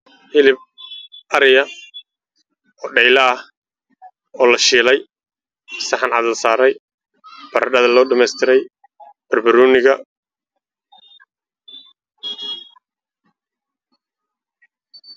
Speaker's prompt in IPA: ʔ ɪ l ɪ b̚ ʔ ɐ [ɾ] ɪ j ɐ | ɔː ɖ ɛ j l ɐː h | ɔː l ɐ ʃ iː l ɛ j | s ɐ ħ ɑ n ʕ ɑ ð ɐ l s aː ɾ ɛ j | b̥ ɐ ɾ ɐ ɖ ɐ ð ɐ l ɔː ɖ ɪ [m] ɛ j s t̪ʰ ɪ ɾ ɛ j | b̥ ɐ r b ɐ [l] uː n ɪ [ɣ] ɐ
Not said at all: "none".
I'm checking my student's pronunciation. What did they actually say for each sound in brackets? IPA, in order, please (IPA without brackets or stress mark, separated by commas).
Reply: ɾ, m, ɾ, ɣ